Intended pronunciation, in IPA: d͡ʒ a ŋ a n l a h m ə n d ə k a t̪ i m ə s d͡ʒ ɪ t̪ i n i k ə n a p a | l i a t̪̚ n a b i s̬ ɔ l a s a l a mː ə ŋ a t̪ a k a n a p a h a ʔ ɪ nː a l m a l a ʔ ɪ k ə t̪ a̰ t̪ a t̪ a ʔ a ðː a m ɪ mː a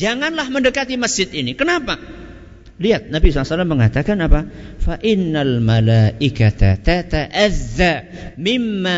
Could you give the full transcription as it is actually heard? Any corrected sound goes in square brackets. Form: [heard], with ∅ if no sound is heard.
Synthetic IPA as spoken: d͡ʒ a ŋ a n l a h m ə n d ə k a t̪ i m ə s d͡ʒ ɪ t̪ i n i k ə n a p a | l i a t̪̚ n a b i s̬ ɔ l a s a l a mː ə ŋ a t̪ a k a n a p a [f] a ʔ ɪ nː a l m a l a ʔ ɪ k [a] t̪ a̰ t̪ a t̪ a ʔ a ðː a m ɪ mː a